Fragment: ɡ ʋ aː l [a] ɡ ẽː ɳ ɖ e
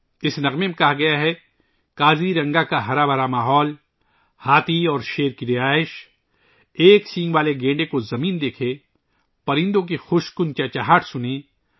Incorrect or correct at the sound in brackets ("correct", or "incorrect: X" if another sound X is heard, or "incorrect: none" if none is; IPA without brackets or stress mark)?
incorrect: e